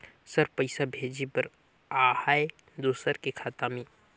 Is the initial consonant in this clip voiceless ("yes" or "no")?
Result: yes